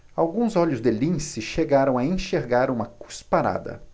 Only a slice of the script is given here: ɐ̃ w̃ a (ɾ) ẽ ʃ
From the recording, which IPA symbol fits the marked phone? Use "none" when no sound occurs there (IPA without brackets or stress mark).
none